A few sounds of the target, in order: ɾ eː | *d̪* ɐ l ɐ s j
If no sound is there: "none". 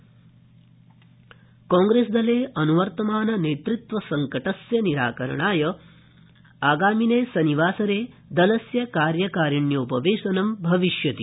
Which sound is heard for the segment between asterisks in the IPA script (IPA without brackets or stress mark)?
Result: d̪